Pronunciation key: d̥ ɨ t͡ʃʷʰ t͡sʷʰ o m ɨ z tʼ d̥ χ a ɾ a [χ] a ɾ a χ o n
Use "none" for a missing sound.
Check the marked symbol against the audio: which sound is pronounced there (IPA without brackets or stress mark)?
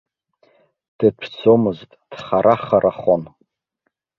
χ